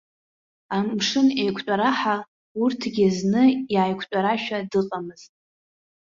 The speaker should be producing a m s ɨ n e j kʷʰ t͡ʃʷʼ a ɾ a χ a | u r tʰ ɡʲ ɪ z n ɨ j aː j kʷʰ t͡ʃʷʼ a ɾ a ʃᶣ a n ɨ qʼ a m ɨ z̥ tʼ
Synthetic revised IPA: a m ʂ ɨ n e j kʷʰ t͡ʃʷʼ a ɾ a ħ a | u r tʰ ɡʲ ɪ z n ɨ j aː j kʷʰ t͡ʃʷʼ a ɾ a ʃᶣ a d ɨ qʼ a m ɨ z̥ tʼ